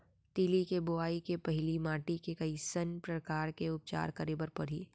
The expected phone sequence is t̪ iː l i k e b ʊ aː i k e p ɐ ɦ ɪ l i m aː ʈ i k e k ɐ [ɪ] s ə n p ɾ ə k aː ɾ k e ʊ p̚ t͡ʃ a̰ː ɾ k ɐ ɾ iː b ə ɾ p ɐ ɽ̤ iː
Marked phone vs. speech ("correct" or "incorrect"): incorrect